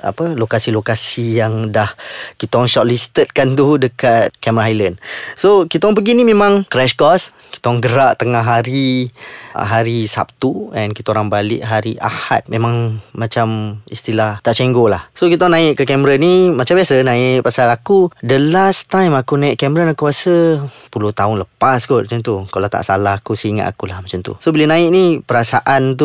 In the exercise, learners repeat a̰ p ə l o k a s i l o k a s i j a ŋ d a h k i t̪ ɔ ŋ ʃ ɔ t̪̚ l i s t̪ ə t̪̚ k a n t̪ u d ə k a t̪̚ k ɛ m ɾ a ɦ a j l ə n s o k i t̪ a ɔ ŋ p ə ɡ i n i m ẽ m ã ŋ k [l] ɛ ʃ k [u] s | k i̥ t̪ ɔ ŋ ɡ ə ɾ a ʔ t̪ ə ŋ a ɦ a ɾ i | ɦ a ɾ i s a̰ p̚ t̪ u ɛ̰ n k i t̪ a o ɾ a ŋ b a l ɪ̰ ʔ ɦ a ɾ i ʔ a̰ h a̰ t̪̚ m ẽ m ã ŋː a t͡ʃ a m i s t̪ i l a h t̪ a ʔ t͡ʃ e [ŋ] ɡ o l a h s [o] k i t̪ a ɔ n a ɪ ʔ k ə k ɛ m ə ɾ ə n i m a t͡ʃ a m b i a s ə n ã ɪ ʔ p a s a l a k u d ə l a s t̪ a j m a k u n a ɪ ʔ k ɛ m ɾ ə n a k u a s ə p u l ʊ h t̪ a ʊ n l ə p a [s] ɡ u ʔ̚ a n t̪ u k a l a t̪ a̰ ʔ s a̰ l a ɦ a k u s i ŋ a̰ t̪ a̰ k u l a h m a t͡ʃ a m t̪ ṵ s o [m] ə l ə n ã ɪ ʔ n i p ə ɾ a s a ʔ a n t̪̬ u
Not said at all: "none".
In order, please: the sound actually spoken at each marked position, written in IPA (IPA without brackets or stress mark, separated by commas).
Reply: ɾ, ɔ, ŋ, o, s, b